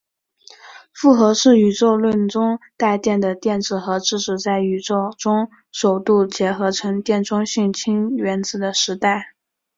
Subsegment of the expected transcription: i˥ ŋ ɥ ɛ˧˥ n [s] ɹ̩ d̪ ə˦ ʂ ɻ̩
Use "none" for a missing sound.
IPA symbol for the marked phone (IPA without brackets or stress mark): t͡s